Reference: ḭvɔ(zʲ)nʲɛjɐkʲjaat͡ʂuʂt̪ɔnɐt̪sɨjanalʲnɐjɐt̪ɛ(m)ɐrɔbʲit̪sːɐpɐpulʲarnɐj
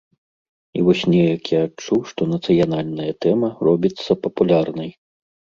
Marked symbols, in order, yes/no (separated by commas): no, yes